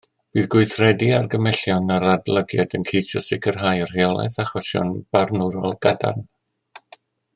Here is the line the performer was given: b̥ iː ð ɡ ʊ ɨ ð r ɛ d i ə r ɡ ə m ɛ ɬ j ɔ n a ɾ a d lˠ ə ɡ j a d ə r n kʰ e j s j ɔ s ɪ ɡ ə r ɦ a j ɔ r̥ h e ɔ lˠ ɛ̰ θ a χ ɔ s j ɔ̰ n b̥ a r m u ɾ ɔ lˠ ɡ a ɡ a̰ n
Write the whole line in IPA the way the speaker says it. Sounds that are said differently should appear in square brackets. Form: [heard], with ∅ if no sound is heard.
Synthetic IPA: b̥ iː ð ɡ ʊ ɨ [θ] r ɛ d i [a] r ɡ ə m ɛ ɬ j ɔ n a ɾ a d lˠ ə ɡ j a d ə [∅] n kʰ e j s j ɔ s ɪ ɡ ə r ɦ a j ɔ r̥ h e ɔ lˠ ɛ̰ θ a χ ɔ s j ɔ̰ n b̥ a r [n] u ɾ ɔ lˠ ɡ a [d] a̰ n